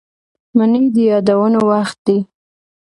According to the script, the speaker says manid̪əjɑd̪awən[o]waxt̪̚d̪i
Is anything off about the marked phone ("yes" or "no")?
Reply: no